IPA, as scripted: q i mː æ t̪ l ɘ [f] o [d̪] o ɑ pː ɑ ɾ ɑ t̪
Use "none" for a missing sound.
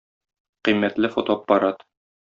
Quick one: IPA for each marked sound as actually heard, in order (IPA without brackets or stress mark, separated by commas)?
f, t̪